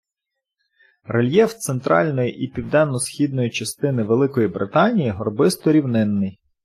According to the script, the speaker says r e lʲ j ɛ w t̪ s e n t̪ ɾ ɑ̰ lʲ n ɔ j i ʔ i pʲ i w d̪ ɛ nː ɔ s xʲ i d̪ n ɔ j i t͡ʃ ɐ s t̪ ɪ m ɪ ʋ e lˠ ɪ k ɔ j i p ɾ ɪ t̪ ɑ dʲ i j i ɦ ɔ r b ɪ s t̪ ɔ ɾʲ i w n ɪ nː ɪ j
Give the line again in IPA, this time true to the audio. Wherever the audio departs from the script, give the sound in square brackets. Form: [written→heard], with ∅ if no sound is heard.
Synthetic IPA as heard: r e lʲ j ɛ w t̪ s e n t̪ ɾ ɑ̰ lʲ n ɔ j i ʔ i pʲ i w d̪ ɛ nː ɔ s xʲ i d̪ n ɔ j i t͡ʃ ɐ s t̪ ɪ [m→n] ɪ ʋ e lˠ ɪ k ɔ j i [p→b] ɾ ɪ t̪ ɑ [dʲ→nʲ] i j i ɦ ɔ r b ɪ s t̪ ɔ ɾʲ i w n ɪ nː ɪ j

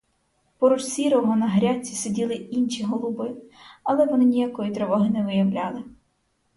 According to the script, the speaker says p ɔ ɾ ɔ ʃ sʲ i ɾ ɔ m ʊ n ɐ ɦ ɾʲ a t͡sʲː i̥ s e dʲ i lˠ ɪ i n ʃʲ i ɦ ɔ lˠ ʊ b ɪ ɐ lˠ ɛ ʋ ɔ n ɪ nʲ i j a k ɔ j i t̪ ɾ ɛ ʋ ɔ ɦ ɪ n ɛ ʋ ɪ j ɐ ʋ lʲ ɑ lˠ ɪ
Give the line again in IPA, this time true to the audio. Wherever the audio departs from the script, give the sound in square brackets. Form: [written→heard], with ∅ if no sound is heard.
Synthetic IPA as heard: p ɔ ɾ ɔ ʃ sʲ i ɾ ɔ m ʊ n ɐ ɦ ɾʲ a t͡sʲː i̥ s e dʲ i lˠ ɪ i n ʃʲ i ɦ ɔ lˠ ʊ b ɪ ɐ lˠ ɛ ʋ ɔ n ɪ nʲ i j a k ɔ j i t̪ ɾ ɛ ʋ ɔ ɦ ɪ n ɛ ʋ ɪ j ɐ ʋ lʲ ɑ lˠ ɪ

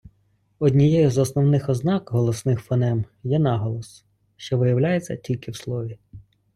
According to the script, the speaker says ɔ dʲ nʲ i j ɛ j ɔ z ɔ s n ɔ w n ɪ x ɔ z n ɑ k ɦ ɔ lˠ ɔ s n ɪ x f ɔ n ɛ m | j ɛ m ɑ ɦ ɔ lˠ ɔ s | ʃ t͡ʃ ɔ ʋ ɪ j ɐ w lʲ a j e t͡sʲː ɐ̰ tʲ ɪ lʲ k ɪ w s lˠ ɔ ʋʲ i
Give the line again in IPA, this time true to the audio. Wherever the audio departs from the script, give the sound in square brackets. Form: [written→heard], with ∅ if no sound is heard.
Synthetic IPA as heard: ɔ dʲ nʲ i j ɛ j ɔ z ɔ s n ɔ w n ɪ x ɔ z n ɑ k ɦ ɔ lˠ ɔ s n ɪ x f ɔ n ɛ m | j ɛ [m→n] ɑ ɦ ɔ lˠ ɔ s | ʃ t͡ʃ ɔ ʋ ɪ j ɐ w lʲ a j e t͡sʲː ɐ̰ tʲ [ɪ→i] lʲ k ɪ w s lˠ ɔ ʋʲ i

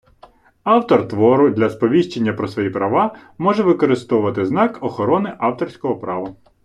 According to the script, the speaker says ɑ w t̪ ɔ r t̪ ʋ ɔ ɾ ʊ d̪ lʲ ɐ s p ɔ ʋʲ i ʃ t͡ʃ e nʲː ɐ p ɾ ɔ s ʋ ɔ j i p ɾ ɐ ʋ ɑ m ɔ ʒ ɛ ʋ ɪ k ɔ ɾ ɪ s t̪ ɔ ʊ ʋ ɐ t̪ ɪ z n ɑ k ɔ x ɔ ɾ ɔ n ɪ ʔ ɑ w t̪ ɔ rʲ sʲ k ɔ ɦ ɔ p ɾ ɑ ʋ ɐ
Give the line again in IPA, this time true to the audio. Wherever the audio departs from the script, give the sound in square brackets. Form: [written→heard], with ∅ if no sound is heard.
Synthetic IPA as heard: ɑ w t̪ ɔ r t̪ ʋ ɔ ɾ ʊ d̪ lʲ ɐ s p ɔ ʋʲ i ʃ t͡ʃ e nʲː ɐ p ɾ ɔ s ʋ ɔ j i p ɾ ɐ ʋ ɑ m ɔ ʒ ɛ ʋ ɪ k ɔ ɾ ɪ s t̪ ɔ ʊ ʋ ɐ t̪ ɪ z n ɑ k ɔ x ɔ ɾ ɔ n ɪ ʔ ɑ w t̪ ɔ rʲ sʲ k ɔ ɦ ɔ p ɾ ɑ ʋ ɐ

